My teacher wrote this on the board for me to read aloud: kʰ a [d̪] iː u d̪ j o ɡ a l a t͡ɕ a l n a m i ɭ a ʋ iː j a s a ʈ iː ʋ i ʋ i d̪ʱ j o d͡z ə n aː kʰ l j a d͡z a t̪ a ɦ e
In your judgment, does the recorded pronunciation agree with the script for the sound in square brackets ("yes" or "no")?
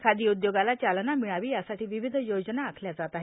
yes